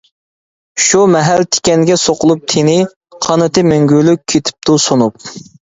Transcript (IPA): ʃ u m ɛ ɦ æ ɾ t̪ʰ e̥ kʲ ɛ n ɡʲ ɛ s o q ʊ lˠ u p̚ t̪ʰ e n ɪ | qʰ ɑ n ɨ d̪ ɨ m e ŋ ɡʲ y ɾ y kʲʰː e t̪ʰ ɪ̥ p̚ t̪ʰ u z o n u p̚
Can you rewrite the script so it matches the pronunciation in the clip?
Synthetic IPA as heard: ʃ u m ɛ ɦ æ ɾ t̪ʰ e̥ kʲ ɛ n ɡʲ ɛ s o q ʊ lˠ u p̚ t̪ʰ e n ɪ | qʰ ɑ n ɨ t̪ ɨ m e ŋ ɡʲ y l y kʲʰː e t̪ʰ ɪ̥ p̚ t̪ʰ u s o n u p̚